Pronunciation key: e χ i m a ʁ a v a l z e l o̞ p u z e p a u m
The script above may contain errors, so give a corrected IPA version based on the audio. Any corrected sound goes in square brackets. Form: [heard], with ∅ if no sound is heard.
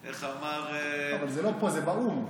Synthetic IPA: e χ [a] m a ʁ a v a l z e l o̞ p [o] z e [b] a u m